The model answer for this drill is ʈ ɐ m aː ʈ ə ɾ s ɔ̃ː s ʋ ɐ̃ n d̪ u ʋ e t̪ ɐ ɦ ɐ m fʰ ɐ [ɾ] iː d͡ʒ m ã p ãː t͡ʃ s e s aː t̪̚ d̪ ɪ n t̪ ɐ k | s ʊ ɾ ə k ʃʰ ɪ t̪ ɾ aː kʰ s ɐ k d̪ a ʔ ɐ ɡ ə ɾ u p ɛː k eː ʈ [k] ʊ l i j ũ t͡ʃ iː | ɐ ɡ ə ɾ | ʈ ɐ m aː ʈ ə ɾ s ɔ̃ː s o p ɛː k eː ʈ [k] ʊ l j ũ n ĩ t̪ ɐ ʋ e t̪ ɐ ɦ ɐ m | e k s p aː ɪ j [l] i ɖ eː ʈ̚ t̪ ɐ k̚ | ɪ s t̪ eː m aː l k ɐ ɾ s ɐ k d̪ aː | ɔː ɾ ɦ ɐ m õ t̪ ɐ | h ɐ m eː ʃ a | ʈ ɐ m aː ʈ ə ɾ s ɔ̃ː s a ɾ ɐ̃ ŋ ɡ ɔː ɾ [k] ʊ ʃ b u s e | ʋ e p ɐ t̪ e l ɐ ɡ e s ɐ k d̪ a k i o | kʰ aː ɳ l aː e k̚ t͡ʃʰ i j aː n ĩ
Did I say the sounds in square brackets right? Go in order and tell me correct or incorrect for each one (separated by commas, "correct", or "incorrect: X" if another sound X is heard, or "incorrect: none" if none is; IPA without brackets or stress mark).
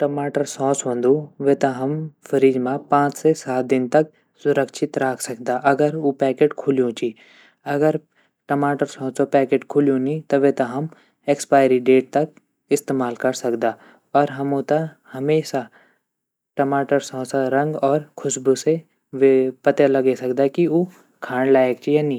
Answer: correct, incorrect: kʰ, incorrect: kʰ, incorrect: ɾ, incorrect: kʰ